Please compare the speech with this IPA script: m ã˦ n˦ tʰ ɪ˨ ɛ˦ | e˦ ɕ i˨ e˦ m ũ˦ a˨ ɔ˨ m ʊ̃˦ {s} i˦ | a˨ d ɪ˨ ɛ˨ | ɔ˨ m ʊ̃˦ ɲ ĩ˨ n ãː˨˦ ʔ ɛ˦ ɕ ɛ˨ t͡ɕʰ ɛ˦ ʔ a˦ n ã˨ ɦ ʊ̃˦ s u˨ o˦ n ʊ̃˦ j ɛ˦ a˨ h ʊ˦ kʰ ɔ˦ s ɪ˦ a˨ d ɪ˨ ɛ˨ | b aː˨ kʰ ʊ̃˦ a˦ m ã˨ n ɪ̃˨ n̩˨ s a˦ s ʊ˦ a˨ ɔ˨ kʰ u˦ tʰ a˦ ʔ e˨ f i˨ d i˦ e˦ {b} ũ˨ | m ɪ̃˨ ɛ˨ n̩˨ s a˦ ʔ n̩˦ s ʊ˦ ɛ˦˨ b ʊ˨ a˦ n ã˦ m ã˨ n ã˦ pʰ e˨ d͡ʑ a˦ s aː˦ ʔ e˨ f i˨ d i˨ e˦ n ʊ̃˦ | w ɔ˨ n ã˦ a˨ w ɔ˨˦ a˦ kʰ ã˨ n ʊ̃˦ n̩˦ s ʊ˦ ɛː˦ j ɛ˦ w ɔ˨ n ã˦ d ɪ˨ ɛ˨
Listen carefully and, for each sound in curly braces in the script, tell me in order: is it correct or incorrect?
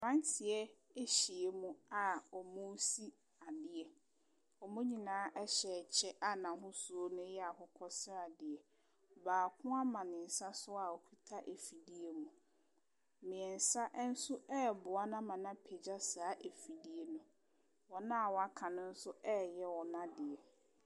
correct, incorrect: m

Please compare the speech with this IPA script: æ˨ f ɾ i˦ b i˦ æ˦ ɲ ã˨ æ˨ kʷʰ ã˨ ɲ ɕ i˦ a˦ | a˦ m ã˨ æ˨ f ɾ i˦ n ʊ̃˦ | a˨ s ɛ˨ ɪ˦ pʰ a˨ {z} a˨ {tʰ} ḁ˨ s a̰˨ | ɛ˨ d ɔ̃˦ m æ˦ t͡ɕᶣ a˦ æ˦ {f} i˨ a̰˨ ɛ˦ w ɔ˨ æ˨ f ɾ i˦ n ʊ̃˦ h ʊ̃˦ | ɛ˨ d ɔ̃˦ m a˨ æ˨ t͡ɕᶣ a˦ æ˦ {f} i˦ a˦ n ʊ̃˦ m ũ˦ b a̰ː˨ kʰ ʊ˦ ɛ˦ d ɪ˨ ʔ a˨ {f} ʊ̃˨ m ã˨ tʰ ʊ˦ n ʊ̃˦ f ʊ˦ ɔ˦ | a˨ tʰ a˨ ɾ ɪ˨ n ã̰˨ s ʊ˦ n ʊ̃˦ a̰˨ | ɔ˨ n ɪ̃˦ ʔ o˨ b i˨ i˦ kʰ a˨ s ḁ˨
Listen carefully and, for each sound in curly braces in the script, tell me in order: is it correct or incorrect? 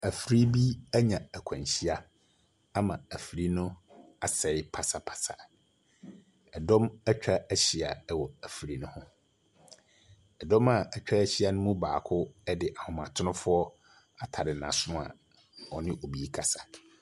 incorrect: s, incorrect: pʰ, incorrect: ɕ, incorrect: ɕ, incorrect: h

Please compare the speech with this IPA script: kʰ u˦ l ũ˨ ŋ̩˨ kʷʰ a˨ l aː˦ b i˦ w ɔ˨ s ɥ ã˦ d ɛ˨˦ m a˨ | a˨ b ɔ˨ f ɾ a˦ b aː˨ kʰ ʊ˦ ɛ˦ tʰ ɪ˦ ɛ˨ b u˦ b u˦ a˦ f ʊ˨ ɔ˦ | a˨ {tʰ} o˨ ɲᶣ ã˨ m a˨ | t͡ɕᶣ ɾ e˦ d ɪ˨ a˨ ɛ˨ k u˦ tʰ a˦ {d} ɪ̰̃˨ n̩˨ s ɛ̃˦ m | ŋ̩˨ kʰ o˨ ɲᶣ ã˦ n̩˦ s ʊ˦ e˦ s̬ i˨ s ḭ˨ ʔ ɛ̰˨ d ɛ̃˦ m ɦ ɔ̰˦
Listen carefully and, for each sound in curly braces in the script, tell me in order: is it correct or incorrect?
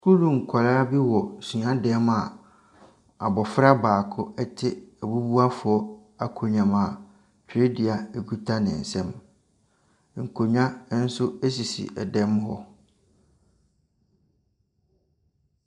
incorrect: kʰ, incorrect: n

